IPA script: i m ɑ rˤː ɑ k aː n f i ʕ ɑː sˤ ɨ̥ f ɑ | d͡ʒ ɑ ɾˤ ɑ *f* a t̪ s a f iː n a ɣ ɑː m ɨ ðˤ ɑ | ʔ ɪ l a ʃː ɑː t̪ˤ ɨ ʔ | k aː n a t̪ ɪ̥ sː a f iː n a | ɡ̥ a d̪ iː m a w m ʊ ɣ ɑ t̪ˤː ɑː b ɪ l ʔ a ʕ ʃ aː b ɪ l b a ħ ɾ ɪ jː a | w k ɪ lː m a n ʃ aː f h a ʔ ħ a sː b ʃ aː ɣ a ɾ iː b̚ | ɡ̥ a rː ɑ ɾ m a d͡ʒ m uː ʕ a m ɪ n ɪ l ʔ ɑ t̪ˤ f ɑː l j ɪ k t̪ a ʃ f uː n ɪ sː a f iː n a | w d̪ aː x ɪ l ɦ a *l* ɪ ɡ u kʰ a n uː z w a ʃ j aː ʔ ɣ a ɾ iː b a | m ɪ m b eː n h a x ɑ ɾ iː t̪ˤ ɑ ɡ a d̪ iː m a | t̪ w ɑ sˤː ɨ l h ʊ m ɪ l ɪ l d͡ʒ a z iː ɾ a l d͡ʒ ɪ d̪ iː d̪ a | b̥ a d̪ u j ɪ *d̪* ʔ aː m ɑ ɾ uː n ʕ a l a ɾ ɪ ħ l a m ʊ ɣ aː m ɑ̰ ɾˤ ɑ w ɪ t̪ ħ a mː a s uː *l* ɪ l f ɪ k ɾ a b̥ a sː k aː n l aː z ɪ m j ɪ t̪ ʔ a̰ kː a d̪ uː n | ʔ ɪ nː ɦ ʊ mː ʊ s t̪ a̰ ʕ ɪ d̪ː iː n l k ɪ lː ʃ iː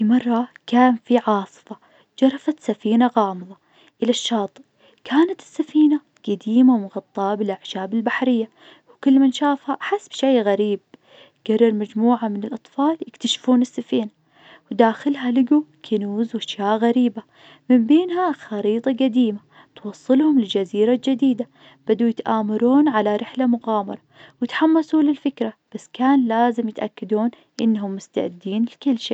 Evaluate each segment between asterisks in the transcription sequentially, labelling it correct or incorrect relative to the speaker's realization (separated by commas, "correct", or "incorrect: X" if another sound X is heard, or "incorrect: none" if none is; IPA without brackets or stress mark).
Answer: correct, correct, incorrect: t̪, correct